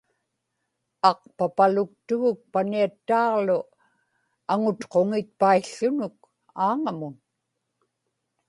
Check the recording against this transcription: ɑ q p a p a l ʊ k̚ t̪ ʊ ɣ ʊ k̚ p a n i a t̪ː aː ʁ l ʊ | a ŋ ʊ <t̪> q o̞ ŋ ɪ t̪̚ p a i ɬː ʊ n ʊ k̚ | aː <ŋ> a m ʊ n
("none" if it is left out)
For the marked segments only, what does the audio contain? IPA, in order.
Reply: t̪, ŋ

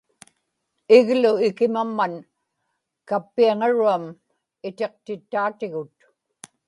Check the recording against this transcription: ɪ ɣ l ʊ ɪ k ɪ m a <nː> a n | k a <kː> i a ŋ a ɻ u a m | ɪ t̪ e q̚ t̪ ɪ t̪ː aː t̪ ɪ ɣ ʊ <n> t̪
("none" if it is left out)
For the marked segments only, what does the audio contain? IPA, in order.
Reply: mː, pː, none

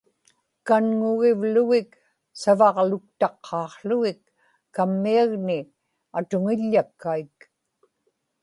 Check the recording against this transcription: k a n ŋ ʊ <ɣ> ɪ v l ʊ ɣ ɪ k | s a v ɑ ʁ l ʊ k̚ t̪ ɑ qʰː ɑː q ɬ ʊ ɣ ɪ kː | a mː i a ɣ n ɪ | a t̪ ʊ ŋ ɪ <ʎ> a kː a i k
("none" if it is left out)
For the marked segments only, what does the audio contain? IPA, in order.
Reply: ɣ, ʎː

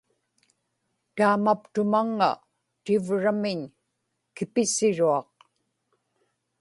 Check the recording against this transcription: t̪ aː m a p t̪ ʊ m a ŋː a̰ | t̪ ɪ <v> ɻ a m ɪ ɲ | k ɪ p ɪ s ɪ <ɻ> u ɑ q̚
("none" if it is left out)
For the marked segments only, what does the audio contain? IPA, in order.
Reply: v, ɻ

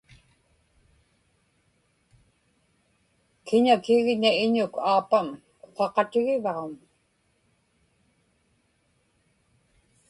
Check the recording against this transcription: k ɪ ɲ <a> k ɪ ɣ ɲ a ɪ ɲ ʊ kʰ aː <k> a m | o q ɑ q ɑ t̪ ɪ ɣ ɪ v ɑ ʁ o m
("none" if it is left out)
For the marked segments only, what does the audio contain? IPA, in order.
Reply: a, p

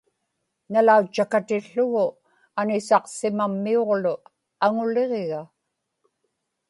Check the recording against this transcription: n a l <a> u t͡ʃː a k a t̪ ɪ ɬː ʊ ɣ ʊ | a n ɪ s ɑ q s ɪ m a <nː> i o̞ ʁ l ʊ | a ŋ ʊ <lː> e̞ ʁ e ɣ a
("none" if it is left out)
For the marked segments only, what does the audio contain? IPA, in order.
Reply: a, mː, l

